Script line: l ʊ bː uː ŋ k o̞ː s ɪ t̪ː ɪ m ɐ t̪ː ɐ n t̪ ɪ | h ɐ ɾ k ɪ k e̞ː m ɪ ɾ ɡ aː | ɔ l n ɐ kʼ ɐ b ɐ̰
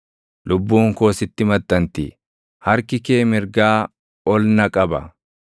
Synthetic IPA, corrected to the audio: l ʊ bː uː ŋ k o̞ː s ɪ t̪ː ɪ m ɐ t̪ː ɐ n t̪ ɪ | h ɐ ɾ k ɪ k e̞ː m ɪ ɾ ɡ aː | ɔ l n ɐ kʼ ɐ b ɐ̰

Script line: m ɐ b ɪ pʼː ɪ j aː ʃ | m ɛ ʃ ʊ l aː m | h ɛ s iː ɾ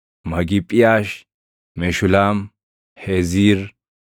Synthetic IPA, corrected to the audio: m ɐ ɡ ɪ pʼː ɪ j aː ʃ | m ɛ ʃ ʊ l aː m | h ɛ z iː ɾ

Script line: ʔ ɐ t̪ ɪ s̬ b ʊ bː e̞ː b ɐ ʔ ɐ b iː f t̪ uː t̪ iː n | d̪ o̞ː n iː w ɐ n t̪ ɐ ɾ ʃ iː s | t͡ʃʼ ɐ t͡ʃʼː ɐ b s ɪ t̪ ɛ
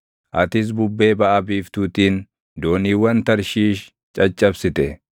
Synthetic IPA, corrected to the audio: ʔ ɐ t̪ ɪ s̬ b ʊ bː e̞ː b ɐ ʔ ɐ b iː f t̪ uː t̪ iː n | d̪ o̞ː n iː w ɐ n t̪ ɐ ɾ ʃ iː ʃ | t͡ʃʼ ɐ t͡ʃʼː ɐ b s ɪ t̪ ɛ

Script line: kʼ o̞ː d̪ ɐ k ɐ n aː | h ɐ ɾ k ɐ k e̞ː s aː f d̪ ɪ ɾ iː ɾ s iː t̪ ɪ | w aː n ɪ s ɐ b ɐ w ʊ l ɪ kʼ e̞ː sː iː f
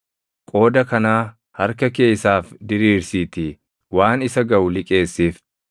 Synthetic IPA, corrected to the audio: kʼ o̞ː d̪ ɐ k ɐ n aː | h ɐ ɾ k ɐ k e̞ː s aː f d̪ ɪ ɾ iː ɾ s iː t̪ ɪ | w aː n ɪ s ɐ ɡ ɐ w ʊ l ɪ kʼ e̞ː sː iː f

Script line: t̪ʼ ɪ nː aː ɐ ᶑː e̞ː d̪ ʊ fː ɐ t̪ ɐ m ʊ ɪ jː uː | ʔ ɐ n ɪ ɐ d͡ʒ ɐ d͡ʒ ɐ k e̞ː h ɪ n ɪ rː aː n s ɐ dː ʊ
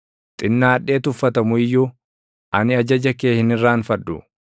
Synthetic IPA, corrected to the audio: t̪ʼ ɪ nː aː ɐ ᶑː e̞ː t̪ ʊ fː ɐ t̪ ɐ m ʊ ɪ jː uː | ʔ ɐ n ɪ ɐ d͡ʒ ɐ d͡ʒ ɐ k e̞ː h ɪ n ɪ rː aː n f ɐ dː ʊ

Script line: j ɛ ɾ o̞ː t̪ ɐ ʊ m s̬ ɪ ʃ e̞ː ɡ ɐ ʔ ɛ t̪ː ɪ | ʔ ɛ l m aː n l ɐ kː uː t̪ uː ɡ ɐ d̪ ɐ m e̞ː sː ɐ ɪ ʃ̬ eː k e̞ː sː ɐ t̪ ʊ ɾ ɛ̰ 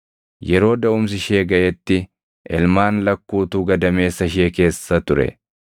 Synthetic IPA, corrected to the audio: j ɛ ɾ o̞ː d̪ ɐ ʊ m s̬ ɪ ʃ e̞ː ɡ ɐ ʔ ɛ t̪ː ɪ | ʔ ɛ l m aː n l ɐ kː uː t̪ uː ɡ ɐ d̪ ɐ m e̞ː sː ɐ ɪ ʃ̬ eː k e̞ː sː ɐ t̪ ʊ ɾ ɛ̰

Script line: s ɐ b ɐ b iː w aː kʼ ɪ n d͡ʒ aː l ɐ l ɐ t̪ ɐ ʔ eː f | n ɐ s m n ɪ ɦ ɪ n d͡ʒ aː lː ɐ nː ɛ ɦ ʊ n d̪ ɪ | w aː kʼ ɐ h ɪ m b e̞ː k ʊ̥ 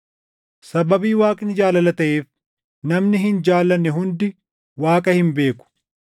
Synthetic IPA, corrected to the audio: s ɐ b ɐ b iː w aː kʼ ɪ n d͡ʒ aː l ɐ l ɐ t̪ ɐ ʔ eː f | n ɐ m n ɪ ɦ ɪ n d͡ʒ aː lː ɐ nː ɛ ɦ ʊ n d̪ ɪ | w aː kʼ ɐ h ɪ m b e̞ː k ʊ̥

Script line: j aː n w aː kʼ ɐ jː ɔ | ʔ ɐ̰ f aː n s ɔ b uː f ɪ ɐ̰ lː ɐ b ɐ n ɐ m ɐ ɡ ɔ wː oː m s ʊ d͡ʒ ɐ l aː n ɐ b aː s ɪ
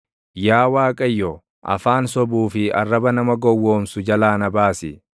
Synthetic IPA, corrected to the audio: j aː w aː kʼ ɐ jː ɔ | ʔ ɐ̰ f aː n s ɔ b uː f ɪ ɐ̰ rː ɐ b ɐ n ɐ m ɐ ɡ ɔ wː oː m s ʊ d͡ʒ ɐ l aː n ɐ b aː s ɪ

